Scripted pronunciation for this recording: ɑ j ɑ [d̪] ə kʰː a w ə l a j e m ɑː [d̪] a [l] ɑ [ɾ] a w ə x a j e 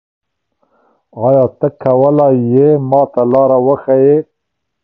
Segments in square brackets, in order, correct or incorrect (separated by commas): incorrect, incorrect, correct, correct